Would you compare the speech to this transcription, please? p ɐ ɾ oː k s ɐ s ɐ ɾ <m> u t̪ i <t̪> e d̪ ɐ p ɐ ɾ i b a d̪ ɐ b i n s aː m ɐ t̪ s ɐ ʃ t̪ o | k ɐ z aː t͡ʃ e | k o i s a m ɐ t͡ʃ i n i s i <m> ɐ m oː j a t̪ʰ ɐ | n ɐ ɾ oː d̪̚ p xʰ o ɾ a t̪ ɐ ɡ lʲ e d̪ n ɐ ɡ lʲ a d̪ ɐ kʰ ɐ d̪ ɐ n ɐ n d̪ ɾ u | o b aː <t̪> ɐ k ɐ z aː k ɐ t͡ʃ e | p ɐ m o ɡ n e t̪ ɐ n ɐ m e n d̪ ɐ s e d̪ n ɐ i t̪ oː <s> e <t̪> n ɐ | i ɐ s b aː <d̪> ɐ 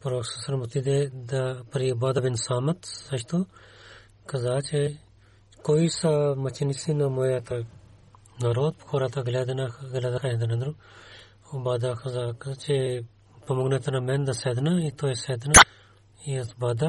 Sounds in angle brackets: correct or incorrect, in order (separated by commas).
correct, incorrect, incorrect, incorrect, correct, incorrect, correct